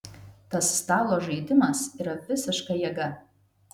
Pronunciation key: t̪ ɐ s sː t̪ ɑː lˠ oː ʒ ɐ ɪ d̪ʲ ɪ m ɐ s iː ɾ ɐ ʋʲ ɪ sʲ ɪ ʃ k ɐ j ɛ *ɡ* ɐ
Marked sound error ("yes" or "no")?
no